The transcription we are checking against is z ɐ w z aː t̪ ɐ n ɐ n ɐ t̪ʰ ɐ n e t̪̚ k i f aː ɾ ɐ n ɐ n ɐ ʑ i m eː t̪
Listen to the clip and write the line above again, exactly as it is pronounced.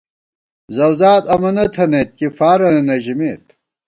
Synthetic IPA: z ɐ w z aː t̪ ɐ m ɐ n ɐ t̪ʰ ɐ n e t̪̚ k i f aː ɾ ɐ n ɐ n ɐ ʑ i m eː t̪